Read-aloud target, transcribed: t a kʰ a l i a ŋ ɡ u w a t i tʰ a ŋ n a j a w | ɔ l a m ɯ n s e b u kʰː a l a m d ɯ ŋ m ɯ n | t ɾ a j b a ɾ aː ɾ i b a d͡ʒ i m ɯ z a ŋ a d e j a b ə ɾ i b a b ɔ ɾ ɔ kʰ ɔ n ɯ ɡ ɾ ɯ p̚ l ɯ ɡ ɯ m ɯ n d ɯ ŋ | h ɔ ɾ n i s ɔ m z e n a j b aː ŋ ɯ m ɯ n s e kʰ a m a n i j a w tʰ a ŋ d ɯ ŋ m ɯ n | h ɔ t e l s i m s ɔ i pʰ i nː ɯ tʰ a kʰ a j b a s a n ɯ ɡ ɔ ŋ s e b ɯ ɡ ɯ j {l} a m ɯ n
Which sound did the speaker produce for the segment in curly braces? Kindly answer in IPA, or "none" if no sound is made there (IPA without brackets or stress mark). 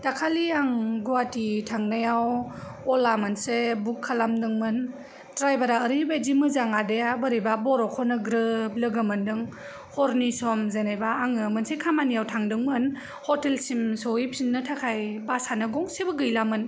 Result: l